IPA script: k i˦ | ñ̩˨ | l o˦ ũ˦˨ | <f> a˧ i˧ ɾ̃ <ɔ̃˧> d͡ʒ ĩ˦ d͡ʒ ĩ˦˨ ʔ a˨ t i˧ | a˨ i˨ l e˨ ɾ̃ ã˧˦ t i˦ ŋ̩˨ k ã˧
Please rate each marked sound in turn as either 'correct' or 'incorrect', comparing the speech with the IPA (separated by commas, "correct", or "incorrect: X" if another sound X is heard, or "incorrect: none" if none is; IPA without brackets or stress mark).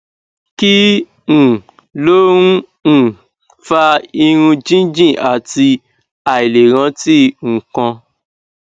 correct, incorrect: ũ˧